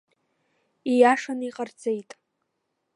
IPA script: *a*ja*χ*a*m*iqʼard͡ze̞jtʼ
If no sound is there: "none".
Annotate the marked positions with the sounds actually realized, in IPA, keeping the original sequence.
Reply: i, ʂ, n

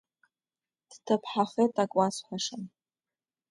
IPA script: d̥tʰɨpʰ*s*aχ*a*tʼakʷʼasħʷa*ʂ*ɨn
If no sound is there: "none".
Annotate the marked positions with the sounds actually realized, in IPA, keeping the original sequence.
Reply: ħ, e, ʂ

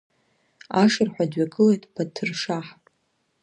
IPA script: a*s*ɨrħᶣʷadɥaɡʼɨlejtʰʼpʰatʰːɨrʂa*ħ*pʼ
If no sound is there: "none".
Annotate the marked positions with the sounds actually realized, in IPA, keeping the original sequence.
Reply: ʂ, ħ

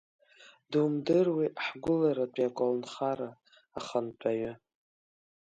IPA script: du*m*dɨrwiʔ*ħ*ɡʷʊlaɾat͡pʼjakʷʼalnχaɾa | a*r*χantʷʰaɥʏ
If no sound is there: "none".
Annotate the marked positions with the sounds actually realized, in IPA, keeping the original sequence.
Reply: m, ħ, none

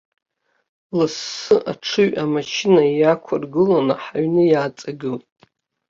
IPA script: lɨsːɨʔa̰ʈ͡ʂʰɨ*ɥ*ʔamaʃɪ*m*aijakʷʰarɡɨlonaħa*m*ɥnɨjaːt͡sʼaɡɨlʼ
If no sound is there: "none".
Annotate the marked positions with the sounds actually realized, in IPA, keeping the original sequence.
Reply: ɥ, n, none

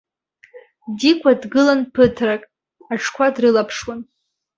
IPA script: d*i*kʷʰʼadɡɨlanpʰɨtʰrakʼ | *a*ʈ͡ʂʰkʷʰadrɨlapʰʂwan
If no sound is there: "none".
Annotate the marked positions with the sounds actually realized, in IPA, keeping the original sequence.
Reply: i, a

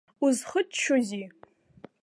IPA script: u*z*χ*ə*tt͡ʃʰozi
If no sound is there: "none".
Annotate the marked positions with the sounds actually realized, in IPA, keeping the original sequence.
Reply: z, ə

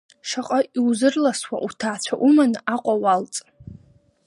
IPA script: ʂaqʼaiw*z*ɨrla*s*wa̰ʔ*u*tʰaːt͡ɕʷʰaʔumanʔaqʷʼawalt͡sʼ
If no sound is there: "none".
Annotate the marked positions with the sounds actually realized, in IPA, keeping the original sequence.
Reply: z, s, u

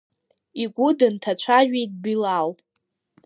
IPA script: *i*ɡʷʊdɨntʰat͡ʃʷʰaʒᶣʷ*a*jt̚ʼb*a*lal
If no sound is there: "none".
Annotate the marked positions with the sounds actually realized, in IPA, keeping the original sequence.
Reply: i, e, i

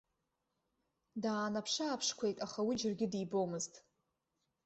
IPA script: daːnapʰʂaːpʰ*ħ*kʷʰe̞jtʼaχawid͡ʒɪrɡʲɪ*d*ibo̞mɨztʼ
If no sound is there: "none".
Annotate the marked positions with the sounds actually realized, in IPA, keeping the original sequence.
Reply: ʂ, d

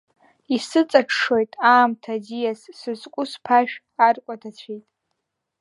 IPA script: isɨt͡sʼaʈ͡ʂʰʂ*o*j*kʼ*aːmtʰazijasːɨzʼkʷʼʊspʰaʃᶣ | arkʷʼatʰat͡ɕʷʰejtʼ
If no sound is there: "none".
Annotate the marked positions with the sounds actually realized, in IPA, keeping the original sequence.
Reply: o, tʼ

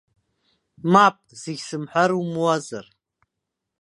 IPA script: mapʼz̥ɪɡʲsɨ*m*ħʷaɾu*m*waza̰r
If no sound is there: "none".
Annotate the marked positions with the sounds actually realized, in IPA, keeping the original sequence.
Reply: m, m

